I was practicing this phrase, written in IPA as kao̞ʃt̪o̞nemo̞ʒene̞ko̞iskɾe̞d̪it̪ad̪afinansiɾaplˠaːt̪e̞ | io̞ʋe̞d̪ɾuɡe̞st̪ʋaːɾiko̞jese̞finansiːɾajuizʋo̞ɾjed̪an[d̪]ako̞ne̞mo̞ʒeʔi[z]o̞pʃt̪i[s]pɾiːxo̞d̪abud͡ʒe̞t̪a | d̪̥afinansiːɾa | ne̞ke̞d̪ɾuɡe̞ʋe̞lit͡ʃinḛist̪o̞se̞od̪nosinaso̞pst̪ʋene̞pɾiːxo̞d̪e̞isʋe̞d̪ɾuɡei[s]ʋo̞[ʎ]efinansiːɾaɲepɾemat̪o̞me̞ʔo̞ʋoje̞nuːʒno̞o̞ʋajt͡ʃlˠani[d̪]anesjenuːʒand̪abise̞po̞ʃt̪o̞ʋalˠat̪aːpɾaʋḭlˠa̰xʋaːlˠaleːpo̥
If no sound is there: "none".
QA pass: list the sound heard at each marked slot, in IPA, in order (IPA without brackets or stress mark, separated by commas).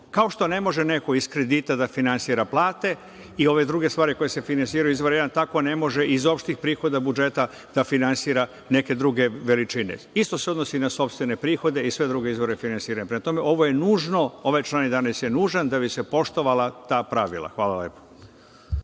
t̪, z, x, z, ɾ, d̪